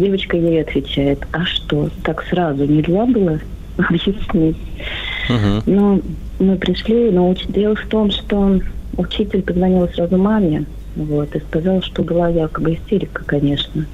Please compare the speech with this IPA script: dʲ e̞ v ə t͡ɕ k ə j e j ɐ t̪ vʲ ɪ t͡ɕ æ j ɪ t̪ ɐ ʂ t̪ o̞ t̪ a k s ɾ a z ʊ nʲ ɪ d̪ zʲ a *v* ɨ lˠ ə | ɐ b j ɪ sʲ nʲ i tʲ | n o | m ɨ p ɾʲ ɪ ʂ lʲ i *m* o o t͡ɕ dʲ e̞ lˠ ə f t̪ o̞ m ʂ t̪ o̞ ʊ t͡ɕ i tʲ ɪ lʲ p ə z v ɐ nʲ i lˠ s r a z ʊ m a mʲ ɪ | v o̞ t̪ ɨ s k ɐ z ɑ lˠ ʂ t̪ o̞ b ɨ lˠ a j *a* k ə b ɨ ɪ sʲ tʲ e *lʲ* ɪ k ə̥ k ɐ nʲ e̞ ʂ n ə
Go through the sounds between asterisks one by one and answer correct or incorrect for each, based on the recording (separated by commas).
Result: incorrect, incorrect, correct, incorrect